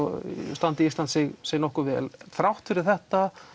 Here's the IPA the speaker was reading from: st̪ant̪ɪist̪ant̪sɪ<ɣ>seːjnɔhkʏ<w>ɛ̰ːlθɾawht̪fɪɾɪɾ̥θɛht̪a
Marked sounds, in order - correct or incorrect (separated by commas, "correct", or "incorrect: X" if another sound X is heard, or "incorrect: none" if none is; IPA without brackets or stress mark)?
correct, incorrect: v